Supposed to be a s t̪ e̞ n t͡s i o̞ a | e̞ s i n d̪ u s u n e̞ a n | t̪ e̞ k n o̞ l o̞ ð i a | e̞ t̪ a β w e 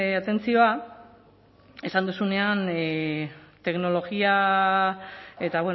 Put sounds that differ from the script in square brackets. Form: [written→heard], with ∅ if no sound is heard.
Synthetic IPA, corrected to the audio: a [s→∅] t̪ e̞ n t͡s i o̞ a | e̞ s [i→a] n d̪ u s u n e̞ a n | t̪ e̞ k n o̞ l o̞ [ð→ɣ] i a | e̞ t̪ a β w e